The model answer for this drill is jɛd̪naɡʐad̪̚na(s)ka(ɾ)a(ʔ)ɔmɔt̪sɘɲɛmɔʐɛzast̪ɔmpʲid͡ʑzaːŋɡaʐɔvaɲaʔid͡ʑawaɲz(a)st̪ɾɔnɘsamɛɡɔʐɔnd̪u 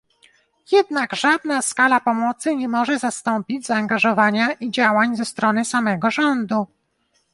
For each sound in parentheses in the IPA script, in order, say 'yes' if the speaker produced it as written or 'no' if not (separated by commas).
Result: yes, no, no, no